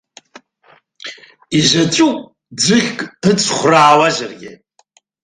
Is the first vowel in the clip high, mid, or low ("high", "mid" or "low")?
high